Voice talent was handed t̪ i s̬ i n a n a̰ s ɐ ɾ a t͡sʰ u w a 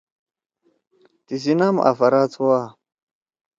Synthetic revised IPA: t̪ i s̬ i n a m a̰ f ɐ ɾ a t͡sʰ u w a